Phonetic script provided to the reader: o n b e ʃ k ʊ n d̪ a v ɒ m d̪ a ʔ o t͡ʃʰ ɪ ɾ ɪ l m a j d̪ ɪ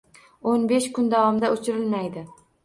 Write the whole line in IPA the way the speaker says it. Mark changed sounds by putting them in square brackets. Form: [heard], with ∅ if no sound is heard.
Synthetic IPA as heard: o n b e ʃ k ʊ n d̪ a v ɒ m d̪ a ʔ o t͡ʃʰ ɪ ɾ ɪ l m a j d̪ ɪ